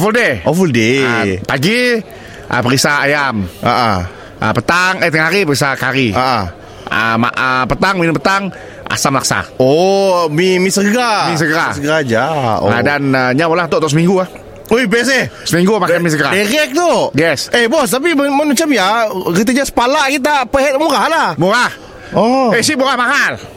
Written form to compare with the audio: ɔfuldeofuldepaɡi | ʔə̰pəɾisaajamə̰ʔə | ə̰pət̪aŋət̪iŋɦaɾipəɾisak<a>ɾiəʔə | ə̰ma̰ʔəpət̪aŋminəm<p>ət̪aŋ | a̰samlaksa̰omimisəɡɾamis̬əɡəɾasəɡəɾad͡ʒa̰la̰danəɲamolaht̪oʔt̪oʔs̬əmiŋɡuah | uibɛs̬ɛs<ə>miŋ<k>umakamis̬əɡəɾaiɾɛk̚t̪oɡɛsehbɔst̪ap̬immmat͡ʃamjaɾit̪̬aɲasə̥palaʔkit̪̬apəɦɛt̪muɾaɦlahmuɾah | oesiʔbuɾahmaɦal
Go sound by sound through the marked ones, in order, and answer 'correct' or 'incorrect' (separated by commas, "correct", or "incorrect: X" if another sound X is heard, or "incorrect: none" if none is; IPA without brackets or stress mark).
correct, correct, correct, incorrect: ɡ